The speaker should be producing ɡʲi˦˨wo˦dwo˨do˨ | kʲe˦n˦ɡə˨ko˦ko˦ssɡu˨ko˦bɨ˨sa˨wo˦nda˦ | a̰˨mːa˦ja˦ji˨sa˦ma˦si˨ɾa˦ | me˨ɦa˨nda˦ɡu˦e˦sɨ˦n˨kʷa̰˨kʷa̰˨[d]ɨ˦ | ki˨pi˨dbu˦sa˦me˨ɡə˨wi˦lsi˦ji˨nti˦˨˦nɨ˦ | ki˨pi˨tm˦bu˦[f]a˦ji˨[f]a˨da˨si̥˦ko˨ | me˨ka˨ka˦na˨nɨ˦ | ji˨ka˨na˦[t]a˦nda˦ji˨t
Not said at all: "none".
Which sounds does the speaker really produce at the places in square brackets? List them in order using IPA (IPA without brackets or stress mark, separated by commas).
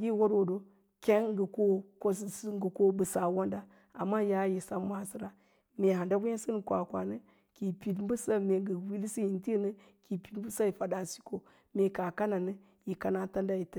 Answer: n, s, f, t